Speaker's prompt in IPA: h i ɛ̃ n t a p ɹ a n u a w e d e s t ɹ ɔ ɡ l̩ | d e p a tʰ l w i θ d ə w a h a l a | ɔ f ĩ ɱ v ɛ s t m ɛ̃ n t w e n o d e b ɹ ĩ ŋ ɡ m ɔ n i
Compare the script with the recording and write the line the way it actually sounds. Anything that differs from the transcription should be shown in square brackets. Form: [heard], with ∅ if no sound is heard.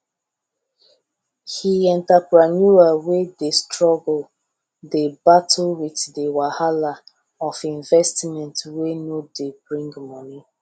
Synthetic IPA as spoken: h i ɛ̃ n t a p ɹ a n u a w e d e s t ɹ ɔ ɡ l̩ | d e [b] a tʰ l w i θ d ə w a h a l a | ɔ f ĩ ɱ v ɛ s t m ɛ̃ n t w e n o d e b ɹ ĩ ŋ ɡ m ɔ n i